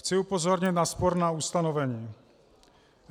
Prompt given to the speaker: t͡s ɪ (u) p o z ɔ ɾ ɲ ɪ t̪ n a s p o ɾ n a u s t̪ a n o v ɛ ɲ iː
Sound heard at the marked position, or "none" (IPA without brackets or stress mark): u